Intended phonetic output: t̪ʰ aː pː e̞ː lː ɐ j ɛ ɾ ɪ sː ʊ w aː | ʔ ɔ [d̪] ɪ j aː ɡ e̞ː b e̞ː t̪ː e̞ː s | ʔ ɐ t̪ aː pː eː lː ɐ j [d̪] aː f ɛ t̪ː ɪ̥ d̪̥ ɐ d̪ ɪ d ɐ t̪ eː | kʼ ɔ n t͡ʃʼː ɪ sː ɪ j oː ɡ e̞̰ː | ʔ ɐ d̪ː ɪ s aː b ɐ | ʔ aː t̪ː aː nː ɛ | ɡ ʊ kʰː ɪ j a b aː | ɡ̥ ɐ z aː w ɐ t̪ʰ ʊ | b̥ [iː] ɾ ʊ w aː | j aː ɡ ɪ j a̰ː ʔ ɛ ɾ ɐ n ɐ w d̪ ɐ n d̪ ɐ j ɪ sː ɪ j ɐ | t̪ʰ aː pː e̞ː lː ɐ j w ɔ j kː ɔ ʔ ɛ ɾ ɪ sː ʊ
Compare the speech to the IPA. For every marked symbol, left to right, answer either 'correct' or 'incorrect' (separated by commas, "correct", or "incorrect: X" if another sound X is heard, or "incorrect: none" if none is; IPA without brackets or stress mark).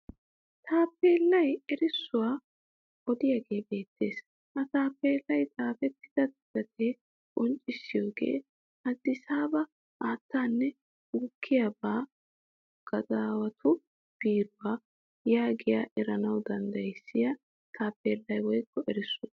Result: correct, incorrect: t̪, correct